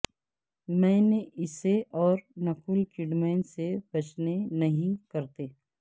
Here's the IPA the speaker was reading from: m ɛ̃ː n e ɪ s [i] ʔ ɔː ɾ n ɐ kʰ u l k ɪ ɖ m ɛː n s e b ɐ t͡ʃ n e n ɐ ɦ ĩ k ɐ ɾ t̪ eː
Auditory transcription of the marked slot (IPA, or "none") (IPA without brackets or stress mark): e